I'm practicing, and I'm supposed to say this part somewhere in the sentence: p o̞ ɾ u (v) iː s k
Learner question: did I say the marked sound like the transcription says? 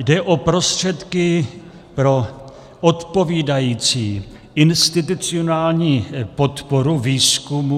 yes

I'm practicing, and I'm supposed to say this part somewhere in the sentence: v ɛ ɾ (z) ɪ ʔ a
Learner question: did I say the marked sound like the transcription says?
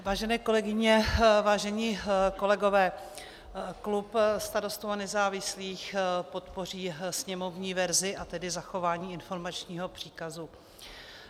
yes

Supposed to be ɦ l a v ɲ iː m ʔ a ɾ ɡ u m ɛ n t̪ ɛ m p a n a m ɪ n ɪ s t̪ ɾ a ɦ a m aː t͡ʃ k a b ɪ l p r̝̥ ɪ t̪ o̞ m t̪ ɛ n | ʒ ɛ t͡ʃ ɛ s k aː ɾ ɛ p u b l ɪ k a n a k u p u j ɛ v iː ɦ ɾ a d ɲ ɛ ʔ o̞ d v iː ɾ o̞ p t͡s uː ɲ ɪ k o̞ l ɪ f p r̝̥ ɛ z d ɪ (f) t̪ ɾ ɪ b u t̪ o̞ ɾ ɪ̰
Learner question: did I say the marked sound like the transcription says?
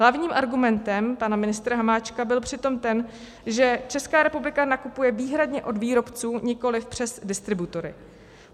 no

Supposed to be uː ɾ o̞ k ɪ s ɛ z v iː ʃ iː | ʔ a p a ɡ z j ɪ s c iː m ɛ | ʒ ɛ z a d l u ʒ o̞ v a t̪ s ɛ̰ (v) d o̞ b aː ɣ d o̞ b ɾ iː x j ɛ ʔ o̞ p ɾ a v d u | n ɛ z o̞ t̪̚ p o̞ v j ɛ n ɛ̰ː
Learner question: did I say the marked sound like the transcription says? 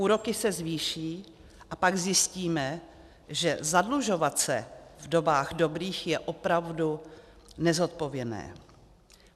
yes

